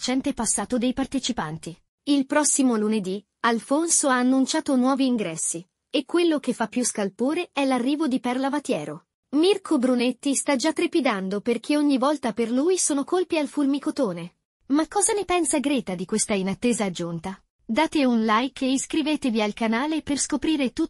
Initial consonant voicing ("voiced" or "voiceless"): voiceless